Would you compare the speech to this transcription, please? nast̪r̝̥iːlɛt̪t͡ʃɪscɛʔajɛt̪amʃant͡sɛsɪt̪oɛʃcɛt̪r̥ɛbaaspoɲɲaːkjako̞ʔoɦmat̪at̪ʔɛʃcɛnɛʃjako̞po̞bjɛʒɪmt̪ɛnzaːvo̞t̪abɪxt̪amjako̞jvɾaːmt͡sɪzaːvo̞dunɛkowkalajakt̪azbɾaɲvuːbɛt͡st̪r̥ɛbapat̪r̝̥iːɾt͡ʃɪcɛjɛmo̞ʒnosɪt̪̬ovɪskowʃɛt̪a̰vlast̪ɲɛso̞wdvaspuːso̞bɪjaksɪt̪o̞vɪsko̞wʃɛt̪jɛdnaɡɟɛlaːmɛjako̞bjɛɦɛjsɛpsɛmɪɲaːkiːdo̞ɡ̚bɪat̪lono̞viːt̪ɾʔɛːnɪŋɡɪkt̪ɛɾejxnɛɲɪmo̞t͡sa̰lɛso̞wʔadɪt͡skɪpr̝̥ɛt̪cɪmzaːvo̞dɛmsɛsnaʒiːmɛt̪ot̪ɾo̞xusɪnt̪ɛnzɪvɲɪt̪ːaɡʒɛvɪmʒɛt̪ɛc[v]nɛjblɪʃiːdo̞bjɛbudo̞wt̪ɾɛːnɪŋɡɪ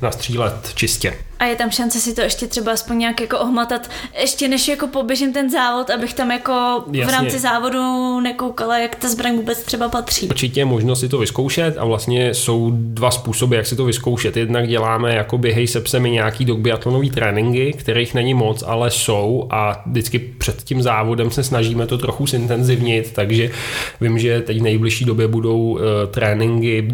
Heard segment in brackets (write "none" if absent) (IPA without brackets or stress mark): v